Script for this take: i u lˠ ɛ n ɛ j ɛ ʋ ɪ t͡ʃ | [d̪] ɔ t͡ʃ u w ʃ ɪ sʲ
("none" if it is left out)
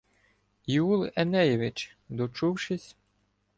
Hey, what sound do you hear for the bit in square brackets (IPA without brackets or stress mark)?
d̪